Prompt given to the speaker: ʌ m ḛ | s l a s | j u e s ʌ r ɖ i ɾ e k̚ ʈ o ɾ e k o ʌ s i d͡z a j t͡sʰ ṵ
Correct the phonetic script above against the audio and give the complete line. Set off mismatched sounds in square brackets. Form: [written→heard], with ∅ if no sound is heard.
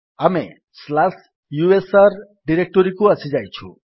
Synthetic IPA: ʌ m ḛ | s l a s | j u e s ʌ r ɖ i ɾ e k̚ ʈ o ɾ [e→i] k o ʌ s i d͡z a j t͡sʰ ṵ